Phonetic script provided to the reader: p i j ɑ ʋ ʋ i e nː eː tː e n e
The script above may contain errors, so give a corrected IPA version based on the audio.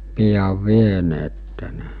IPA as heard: p i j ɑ ʋ ʋ i e n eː tː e n e

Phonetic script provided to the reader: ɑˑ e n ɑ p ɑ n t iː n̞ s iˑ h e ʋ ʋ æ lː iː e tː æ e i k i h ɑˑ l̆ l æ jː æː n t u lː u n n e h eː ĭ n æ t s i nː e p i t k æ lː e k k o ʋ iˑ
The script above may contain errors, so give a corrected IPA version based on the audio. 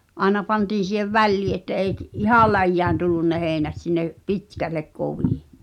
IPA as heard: ɑˑ e n ɑ p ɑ n t iː n̞ s iˑ h e ʋ ʋ æ lː iː e tː æ e i k i h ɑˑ l̆ l æ jː æː n t u lː u n n e h eː ĭ n æ t s i nː e p i t k æ lː e k k o ʋ iˑ

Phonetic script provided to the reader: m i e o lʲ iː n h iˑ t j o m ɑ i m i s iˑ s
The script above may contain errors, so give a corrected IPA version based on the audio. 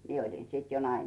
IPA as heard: m i e o lʲ i n s iˑ t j o n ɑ i m i s iˑ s

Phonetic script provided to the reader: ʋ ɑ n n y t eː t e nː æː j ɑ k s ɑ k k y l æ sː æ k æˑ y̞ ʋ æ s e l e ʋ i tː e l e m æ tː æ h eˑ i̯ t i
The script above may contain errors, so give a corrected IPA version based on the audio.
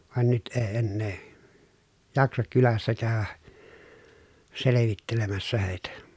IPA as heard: ʋ ɑ n n y t eː e nː eː j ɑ k s ɑ k k y l æ sː æ k æˑ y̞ ʋ æ s e l e ʋ i tː e l e m æ sː æ h eˑ i̯ t æ

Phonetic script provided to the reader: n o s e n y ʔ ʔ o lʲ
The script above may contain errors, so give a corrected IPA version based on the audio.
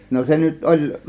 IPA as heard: n o s e n y t ʔ o lʲ

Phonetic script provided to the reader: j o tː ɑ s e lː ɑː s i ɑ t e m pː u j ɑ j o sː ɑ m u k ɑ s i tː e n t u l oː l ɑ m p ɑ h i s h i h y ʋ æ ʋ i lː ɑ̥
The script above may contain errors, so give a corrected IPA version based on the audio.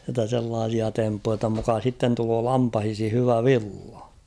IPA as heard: j o tː ɑ s e lː ɑː s i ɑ t e m pː u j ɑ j o tː ɑ m u k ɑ s i tː e n t u l oː l ɑ m p ɑ h i s h i h y ʋ æ ʋ i lː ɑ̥

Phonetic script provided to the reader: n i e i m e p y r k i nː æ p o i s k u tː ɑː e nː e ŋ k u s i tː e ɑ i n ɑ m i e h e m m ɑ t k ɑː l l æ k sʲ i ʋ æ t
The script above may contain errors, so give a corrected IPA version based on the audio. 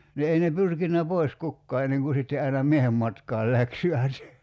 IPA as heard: n i e i n e p y r k i nː æ p o i s k u kː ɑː e nː e ŋ k u s i tː e ɑ i n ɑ m i e h e m m ɑ t k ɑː l l æ k sʲ i ʋ æ t

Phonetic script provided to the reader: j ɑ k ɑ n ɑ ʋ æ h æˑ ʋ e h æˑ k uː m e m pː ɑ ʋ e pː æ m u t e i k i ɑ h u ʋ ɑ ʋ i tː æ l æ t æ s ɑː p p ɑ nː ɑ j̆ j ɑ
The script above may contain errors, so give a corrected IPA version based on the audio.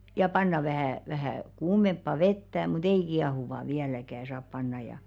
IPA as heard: j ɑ p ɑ nː ɑ ʋ æ h æˑ ʋ æ h æˑ k uː m e m pː ɑ ʋ e tː æ m u t e i k i ɑ h u ʋ ɑ ʋ i æ l æ k æ s ɑː p p ɑ nː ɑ j̆ j ɑ

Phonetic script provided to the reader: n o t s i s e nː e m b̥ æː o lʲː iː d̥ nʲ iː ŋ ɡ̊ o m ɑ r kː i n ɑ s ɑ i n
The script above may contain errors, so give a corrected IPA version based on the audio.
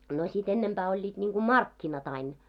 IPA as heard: n o s i t e nː e m b̥ æː o lʲː iː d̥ nʲ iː ŋ ɡ̊ u m ɑ r kː i n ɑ t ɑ i n

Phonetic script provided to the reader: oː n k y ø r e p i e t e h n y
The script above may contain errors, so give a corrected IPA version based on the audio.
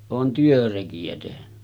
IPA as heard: oː n t y ø r e k i æ t e h n y

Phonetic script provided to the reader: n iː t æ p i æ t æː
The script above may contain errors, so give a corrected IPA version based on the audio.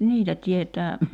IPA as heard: n iː t æ t i e t æː

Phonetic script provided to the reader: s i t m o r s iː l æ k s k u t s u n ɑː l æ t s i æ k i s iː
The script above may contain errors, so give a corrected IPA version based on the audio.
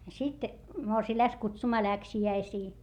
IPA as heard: s i t m o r s iː l æ k s k u t s u m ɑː l æ k s i æ i s iː

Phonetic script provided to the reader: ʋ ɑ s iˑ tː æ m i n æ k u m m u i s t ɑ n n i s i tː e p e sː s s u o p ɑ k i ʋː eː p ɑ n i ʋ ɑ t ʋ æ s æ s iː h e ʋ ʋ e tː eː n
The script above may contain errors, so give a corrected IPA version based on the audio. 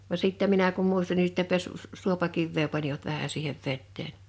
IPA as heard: ʋ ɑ s iˑ tː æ m i n æ k u m m u i s t ɑ n n i s i tː e p e sː s s u o p ɑ k i ʋː eː p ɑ n i ʋ ɑ t ʋ æ h æ s iː h e ʋ ʋ e tː eː n

